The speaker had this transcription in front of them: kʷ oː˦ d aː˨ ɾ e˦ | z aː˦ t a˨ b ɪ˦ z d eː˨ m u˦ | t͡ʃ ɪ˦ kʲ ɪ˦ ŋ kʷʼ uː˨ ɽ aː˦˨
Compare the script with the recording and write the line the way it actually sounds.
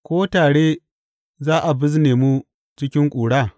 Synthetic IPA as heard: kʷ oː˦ t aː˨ ɽ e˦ | z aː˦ ʔ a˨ b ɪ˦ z n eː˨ m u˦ | t͡ʃ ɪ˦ kʲ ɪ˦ ŋ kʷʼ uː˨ ɽ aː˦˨